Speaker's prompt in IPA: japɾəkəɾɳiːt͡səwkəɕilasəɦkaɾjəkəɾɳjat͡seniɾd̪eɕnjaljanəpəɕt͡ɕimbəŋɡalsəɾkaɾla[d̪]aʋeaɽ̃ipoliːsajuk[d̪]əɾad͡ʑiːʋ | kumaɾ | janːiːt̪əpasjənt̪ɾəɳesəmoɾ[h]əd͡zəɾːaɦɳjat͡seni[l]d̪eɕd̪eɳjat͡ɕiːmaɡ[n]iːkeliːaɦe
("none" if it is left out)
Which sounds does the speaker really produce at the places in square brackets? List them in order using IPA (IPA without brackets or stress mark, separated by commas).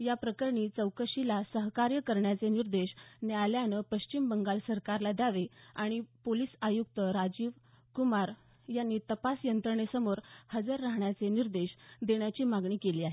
d̪, t̪, h, ɾ, ɳ